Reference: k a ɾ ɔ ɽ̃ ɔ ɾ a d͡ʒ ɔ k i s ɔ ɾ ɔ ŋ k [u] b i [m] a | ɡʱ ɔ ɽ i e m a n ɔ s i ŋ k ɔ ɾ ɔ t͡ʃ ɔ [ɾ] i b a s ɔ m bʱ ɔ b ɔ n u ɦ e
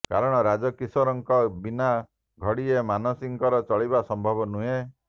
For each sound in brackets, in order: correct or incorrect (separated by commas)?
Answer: incorrect, incorrect, incorrect